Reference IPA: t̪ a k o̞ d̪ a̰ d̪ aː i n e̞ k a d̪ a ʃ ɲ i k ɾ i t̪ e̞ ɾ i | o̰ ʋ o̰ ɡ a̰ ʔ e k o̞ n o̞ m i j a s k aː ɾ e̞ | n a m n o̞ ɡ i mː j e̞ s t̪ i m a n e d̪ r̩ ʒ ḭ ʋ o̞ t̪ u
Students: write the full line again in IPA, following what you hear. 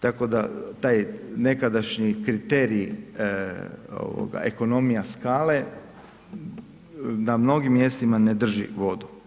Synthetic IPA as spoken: t̪ a k o̞ d̪ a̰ t̪ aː j n e̞ k a d̪ a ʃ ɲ i k ɾ i t̪ e̞ ɾ i | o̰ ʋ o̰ ɡ a̰ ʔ e k o̞ n o̞ m i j a s k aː l e̞ | n a m n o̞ ɡ i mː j e̞ s t̪ i m a n e d̪ r̩ ʒ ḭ ʋ o̞ d̪ u